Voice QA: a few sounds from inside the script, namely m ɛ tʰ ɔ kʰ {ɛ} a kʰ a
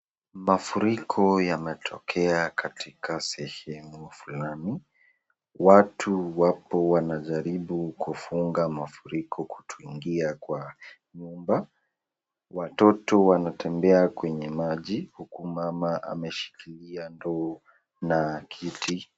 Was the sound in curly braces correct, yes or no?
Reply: yes